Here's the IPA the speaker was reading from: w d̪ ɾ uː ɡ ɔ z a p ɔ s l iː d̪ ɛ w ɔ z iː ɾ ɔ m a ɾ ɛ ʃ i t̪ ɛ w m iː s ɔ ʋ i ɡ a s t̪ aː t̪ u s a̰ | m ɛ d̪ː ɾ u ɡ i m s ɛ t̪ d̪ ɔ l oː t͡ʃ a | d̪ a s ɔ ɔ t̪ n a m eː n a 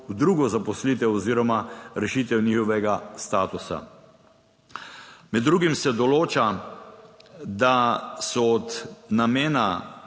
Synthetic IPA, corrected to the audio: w d̪ ɾ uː ɡ ɔ z a p ɔ s l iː t̪ ɛ w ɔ z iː ɾ ɔ m a ɾ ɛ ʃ i t̪ ɛ w n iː x ɔ ʋ ɛ ɡ a s t̪ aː t̪ u s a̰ | m ɛ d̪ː ɾ u ɡ i m s ɛ d̪ ɔ l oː t͡ʃ a | d̪ a s ɔ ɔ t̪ n a m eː n a

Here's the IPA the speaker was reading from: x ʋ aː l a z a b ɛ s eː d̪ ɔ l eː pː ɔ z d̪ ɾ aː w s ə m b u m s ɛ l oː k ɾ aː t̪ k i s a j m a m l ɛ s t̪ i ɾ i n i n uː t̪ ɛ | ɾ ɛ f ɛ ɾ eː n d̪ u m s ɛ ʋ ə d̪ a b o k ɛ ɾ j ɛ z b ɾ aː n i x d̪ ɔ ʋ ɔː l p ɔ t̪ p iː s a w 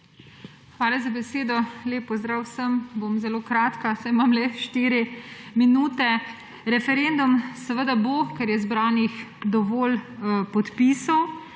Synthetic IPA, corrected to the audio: x ʋ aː l a z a b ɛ s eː d̪ ɔ l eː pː ɔ z d̪ ɾ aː w s ə m b o m z ɛ l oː k ɾ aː t̪ k a s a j m a m l ɛ ʃ t̪ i ɾ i m i n uː t̪ ɛ | ɾ ɛ f ɛ ɾ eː n d̪ u m s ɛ ʋ ə d̪ a b o k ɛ ɾ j ɛ z b ɾ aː n i x d̪ ɔ ʋ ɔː l p ɔ t̪ p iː s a w

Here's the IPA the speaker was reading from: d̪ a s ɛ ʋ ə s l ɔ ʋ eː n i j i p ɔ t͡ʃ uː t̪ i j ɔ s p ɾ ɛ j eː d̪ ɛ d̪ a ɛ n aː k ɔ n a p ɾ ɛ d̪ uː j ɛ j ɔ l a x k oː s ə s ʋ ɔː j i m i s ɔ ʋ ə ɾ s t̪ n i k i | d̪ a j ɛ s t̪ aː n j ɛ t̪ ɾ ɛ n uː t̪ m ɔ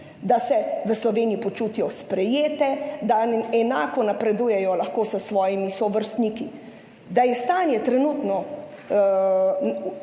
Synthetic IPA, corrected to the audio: d̪ a s ɛ ʋ ə s l ɔ ʋ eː n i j i p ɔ t͡ʃ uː t̪ i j ɔ s p ɾ ɛ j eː t̪ ɛ d̪ a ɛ n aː k ɔ n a p ɾ ɛ d̪ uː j ɛ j ɔ l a x k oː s ə s ʋ ɔː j i m i s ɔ ʋ ə ɾ s t̪ n i k i | d̪ a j ɛ s t̪ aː n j ɛ t̪ ɾ ɛ n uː t̪ n ɔ

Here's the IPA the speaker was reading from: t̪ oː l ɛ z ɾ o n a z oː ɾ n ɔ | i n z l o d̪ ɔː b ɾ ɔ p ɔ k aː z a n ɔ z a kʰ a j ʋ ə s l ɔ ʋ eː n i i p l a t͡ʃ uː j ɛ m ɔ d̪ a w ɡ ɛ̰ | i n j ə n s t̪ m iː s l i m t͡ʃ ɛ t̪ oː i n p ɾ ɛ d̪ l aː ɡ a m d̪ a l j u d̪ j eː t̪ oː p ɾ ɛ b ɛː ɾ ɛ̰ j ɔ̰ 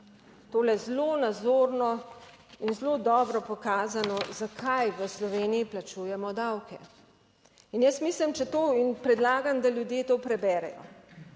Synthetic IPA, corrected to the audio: t̪ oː l ɛ z l o n a z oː ɾ n ɔ | i n z l o d̪ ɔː b ɾ ɔ p ɔ k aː z a n ɔ z a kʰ a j ʋ ə s l ɔ ʋ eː n i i p l a t͡ʃ uː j ɛ m ɔ d̪ a w k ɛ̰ | i n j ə s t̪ m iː s l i m t͡ʃ ɛ t̪ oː i n p ɾ ɛ d̪ l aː ɡ a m d̪ a l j u d̪ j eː t̪ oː p ɾ ɛ b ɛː ɾ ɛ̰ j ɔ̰

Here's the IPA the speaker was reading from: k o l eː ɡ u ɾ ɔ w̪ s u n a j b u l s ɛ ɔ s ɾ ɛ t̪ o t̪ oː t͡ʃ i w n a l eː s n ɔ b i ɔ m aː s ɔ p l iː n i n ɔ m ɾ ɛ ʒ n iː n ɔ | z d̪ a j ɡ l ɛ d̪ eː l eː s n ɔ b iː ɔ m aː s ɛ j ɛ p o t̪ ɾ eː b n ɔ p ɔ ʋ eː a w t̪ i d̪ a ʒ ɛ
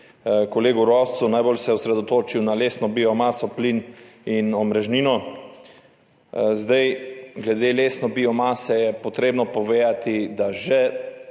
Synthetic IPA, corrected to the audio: k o l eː ɡ u ɾ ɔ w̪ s u n a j b o l s ɛ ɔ s ɾ ɛ d̪ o t̪ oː t͡ʃ i w n a l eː s n ɔ b i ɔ m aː s ɔ p l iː n i n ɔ m ɾ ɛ ʒ n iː n ɔ | z d̪ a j ɡ l ɛ d̪ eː l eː s n ɔ b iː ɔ m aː s ɛ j ɛ p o t̪ ɾ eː b n ɔ p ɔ ʋ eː a t̪ i d̪ a ʒ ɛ

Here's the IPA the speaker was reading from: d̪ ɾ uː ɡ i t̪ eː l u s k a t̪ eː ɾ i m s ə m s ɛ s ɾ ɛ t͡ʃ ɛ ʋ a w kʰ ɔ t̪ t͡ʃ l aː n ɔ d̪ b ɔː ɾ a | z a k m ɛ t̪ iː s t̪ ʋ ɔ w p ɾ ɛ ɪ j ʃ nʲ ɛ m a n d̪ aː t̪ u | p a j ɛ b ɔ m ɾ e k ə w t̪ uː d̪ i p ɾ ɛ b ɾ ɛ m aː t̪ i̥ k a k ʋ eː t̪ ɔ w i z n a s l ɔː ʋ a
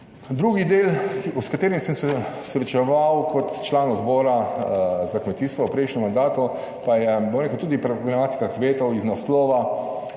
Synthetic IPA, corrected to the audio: d̪ ɾ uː ɡ i d̪ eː l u s k a t̪ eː ɾ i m s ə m s ɛ s ɾ ɛ t͡ʃ ɛ ʋ a w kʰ ɔ t̪ t͡ʃ l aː n ɔ d̪ b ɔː ɾ a | z a k m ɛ t̪ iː s t̪ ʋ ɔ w p ɾ ɛ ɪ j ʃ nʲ ɛ m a n d̪ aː t̪ u | p a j ɛ b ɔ m ɾ e k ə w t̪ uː d̪ i p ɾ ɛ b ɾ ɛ m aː t̪ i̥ k a k ʋ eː t̪ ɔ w i z n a s l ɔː ʋ a

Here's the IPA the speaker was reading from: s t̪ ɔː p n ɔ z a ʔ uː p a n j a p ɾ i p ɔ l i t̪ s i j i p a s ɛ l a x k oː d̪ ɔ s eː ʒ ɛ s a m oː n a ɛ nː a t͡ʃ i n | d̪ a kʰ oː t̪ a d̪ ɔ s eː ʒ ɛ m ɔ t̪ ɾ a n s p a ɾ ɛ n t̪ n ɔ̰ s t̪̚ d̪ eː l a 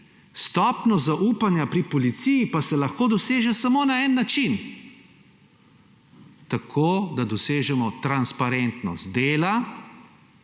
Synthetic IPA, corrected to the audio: s t̪ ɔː p n ɔ z a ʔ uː p a n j a p ɾ i p ɔ l i t̪ s i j i p a s ɛ l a x k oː d̪ ɔ s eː ʒ ɛ s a m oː n a ɛ nː a t͡ʃ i n | t̪ a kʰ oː d̪ a d̪ ɔ s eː ʒ ɛ m ɔ t̪ ɾ a n s p a ɾ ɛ n t̪ n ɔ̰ s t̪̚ d̪ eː l a

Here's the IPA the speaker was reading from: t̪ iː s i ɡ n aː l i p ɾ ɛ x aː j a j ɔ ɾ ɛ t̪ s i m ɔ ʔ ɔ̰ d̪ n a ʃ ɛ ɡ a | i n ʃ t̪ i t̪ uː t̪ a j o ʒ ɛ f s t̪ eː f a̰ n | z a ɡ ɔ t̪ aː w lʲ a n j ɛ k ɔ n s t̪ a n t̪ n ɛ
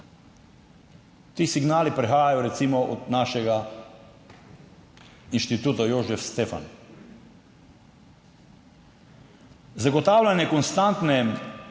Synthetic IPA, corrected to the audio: t̪ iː s i ɡ n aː l i p ɾ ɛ x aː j a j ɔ ɾ ɛ t̪ s i m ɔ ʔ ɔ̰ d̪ n a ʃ ɛ ɡ a | i n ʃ t̪ i t̪ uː t̪ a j o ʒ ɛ f s t̪ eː f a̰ n | z a ɡ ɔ t̪ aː w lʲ a n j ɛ k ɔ n s t̪ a n t̪ n ɛ

